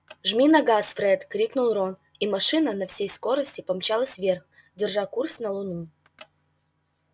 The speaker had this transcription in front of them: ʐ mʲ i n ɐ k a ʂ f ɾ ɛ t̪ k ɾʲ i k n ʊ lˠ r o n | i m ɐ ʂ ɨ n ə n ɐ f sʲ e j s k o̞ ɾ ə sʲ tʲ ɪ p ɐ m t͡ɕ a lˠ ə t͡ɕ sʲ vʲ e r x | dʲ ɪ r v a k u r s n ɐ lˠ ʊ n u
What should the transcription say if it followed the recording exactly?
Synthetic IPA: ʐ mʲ i n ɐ ɡ a s f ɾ ɛ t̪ k ɾʲ i k n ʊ lˠ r o n | i m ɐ ʂ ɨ n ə n ɐ f sʲ e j s k o̞ ɾ ə sʲ tʲ ɪ p ɐ m t͡ɕ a lˠ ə sʲ vʲ e r x | dʲ ɪ r ʐ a k u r s n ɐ lˠ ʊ n u